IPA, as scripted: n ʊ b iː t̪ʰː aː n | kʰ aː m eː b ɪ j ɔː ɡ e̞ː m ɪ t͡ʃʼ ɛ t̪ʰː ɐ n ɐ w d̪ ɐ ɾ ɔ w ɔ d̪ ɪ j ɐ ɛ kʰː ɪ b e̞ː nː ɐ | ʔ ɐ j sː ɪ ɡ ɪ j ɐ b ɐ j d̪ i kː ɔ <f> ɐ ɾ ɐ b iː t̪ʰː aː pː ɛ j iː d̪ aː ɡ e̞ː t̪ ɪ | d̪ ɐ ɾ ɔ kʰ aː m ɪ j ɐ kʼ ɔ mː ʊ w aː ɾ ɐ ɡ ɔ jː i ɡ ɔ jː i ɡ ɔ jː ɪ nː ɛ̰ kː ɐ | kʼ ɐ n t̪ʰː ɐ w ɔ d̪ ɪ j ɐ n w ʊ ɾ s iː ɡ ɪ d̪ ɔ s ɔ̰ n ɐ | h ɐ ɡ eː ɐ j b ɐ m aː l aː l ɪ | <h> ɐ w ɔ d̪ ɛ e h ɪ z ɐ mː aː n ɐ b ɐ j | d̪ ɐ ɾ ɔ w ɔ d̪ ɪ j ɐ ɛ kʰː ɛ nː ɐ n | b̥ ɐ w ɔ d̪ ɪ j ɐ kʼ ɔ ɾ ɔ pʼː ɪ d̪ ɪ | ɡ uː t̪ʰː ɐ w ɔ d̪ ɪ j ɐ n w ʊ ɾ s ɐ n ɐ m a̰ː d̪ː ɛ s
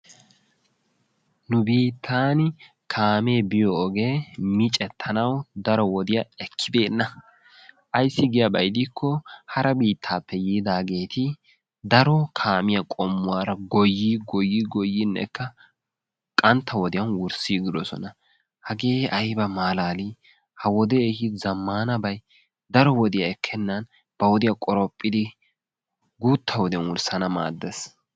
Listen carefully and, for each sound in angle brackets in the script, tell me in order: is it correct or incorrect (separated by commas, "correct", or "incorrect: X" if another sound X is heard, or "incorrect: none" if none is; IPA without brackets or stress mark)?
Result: incorrect: h, correct